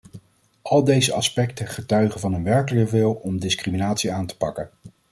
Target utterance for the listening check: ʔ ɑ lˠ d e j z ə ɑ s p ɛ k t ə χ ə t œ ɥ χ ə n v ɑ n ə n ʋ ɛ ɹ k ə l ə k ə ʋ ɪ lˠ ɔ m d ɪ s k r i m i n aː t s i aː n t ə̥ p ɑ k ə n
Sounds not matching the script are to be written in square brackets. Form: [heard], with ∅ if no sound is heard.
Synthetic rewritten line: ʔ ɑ lˠ d e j z ə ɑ s p ɛ k t ə χ ə t œ ɥ χ ə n v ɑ n ə n ʋ ɛ ɹ k ə l ə k ə ʋ ɪ lˠ ɔ m d ɪ s k r i m i n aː t s i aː n t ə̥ p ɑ k ə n